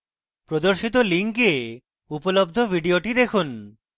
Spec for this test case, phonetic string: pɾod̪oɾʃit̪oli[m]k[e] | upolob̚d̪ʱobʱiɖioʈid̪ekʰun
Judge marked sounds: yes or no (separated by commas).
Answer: no, yes